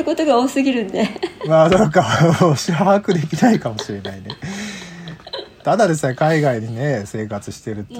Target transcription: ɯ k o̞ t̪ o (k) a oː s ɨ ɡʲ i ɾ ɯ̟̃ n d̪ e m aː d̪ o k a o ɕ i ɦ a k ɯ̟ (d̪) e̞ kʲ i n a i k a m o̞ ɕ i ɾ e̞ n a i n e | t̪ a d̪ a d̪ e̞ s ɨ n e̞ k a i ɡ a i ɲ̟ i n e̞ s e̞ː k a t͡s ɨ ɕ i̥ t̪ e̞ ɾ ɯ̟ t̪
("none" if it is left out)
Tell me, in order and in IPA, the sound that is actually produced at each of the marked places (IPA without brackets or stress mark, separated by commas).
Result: ɡ, d̪